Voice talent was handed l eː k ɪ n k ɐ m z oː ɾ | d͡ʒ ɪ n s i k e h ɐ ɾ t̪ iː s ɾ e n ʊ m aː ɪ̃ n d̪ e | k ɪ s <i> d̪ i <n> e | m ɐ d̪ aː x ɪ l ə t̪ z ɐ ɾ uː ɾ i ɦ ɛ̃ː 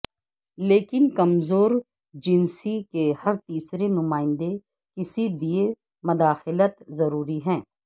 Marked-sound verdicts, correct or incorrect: correct, incorrect: none

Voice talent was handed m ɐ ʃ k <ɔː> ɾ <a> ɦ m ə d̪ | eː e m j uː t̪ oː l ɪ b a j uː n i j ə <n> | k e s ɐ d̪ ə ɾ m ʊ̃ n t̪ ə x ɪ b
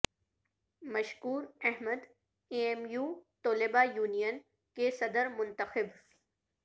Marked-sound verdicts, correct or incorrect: incorrect: uː, incorrect: ɛ, correct

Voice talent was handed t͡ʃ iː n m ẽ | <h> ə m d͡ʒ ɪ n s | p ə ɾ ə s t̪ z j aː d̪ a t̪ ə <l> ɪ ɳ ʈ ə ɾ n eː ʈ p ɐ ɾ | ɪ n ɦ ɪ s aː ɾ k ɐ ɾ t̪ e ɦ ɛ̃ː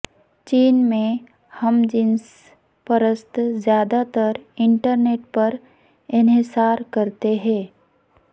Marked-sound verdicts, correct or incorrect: correct, incorrect: ɾ

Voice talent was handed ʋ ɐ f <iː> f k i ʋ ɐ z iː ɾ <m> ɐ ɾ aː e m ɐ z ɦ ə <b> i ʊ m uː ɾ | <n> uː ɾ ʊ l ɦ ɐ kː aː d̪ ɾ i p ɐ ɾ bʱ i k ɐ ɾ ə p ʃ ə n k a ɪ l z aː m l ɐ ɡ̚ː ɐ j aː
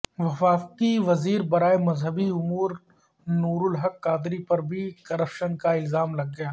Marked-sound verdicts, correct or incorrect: incorrect: aː, incorrect: b, correct, correct

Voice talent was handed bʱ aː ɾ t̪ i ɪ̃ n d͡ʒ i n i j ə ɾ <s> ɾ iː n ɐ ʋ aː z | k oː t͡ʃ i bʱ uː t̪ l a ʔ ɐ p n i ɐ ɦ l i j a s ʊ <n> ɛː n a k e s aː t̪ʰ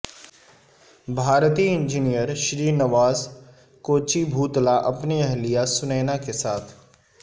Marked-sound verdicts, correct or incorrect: incorrect: ʃ, correct

